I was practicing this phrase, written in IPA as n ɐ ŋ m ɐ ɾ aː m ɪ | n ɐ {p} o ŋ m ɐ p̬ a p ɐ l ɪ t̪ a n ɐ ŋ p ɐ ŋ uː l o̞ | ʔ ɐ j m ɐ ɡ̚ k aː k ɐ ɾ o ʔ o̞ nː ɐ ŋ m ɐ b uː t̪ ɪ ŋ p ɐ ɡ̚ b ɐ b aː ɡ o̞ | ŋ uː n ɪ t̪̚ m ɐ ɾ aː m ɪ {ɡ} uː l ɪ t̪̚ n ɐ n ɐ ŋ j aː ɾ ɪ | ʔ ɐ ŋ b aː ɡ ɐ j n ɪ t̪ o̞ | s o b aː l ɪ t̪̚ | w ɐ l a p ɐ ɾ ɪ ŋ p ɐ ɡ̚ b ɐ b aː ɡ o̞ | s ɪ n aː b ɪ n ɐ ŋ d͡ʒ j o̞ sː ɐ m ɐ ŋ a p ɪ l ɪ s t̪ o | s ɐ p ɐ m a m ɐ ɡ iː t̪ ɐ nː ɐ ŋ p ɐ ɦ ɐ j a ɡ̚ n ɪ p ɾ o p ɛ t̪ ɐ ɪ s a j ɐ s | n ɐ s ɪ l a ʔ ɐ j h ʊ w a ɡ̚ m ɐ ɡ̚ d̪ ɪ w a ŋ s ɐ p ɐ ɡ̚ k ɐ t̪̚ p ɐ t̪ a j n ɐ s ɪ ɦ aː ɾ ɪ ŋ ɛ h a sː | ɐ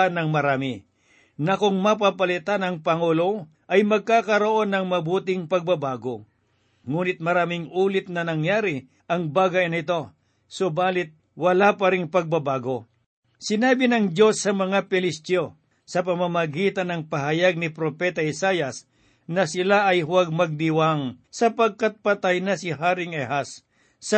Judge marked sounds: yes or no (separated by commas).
no, no